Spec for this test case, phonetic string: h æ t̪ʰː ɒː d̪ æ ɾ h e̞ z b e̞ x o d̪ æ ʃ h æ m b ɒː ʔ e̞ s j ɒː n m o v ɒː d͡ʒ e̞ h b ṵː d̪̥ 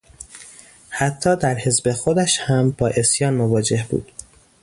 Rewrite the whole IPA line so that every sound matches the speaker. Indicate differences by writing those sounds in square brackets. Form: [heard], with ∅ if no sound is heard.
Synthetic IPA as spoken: h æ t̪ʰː ɒː d̪ æ ɾ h e̞ z b e̞ x o d̪ æ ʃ h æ m b ɒː ʔ e̞ s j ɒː n m o v ɒː d͡ʒ e̞ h b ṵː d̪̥